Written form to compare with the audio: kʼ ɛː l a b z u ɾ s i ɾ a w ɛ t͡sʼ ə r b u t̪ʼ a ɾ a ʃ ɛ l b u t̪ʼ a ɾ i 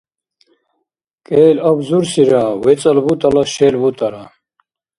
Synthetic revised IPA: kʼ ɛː l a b z u ɾ s i ɾ a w ɛ t͡sʼ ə l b u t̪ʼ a l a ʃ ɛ l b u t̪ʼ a ɾ a